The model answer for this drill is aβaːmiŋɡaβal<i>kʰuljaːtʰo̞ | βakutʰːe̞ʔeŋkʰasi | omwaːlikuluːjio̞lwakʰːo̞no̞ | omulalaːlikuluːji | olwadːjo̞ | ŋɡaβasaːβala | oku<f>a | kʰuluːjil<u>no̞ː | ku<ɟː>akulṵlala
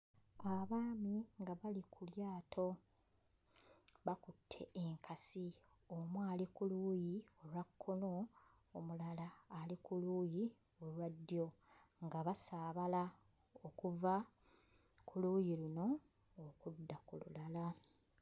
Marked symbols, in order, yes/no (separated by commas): yes, no, yes, no